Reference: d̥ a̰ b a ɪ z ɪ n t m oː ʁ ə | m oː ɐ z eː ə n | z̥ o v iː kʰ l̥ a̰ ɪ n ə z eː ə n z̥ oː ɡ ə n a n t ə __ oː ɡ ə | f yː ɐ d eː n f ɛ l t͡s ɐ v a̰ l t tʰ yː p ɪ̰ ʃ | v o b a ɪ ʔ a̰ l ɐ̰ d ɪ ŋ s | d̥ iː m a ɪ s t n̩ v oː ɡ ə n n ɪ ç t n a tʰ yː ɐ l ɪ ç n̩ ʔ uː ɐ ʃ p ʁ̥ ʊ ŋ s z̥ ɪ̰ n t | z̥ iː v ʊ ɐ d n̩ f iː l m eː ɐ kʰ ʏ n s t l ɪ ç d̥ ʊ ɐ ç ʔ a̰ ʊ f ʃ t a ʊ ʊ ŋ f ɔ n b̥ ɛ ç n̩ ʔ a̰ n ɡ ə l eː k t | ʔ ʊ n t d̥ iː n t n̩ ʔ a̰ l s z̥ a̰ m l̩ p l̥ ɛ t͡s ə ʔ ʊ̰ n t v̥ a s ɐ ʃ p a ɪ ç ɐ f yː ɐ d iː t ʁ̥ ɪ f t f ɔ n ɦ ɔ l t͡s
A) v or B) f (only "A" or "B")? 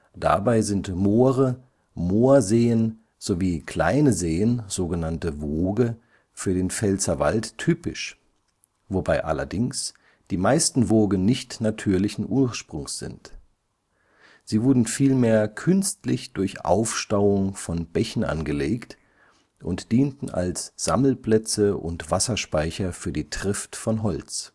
A